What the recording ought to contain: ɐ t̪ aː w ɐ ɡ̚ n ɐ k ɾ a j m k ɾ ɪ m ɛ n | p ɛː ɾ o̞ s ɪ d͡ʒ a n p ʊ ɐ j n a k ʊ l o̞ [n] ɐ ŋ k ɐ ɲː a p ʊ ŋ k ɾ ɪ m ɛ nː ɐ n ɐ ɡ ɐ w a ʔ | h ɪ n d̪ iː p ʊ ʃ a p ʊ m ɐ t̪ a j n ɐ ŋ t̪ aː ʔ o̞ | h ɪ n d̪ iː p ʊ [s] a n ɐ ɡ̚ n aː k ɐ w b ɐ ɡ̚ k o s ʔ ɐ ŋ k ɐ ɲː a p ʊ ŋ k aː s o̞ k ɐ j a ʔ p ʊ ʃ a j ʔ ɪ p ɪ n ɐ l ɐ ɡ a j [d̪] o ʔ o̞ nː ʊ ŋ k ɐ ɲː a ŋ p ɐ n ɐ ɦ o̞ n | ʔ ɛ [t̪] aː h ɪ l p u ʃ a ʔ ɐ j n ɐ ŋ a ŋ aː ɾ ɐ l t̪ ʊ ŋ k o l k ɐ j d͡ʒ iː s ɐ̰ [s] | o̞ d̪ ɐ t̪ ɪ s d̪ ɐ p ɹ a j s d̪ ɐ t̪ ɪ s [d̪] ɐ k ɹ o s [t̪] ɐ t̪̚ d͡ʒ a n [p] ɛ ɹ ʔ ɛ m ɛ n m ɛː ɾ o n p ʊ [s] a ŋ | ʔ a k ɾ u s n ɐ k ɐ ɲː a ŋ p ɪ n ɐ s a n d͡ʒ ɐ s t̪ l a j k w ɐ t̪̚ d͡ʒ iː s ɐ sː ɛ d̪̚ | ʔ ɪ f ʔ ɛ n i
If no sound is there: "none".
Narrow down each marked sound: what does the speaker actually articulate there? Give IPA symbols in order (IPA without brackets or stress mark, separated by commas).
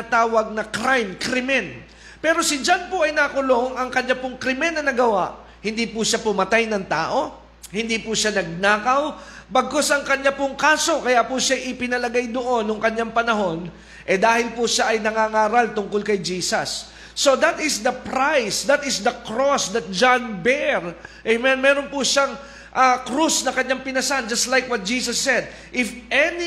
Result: ŋ, ʃ, d̪, d̪, sː, d̪, d̪, b, ʃ